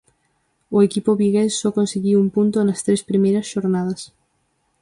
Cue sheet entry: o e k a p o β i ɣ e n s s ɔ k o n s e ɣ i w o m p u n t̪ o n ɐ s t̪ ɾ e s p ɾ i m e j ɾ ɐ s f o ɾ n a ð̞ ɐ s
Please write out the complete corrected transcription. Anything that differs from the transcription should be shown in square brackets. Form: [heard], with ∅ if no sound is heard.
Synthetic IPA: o e k [i] p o β i ɣ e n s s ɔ k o n s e ɣ i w [u] m p u n t̪ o n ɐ s t̪ ɾ e s p ɾ i m e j ɾ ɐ s [ʃ] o ɾ n a ð̞ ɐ s